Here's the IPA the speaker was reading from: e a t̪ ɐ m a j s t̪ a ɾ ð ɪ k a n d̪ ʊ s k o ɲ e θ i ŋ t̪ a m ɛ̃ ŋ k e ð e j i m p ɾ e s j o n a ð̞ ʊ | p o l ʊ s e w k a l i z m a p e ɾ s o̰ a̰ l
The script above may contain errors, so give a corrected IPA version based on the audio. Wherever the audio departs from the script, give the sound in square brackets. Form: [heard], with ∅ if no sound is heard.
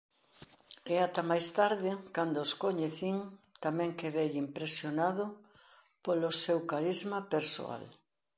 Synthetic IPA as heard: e a t̪ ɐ m a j s t̪ a ɾ ð ɪ k a n d̪ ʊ s k o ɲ e θ i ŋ t̪ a m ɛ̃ ŋ k e ð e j i m p ɾ e s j o n a ð̞ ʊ | p o l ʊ s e w k a [ɾ] i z m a p e ɾ s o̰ a̰ l